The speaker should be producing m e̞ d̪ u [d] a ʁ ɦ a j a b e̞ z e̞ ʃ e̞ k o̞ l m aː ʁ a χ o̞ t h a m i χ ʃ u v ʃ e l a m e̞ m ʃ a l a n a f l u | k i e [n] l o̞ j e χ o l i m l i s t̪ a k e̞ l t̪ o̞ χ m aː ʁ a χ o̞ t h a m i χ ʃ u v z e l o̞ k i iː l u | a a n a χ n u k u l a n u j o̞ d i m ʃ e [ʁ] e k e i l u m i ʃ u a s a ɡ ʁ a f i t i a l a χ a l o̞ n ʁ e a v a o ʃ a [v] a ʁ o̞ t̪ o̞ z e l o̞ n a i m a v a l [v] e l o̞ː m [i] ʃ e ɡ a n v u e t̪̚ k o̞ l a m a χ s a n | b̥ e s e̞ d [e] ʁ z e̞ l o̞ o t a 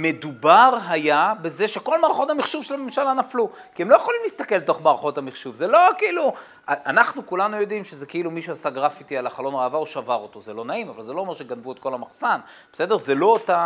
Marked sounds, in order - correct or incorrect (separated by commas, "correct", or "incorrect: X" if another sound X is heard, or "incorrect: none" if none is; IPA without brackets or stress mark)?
incorrect: b, incorrect: m, incorrect: z, correct, incorrect: z, incorrect: e, correct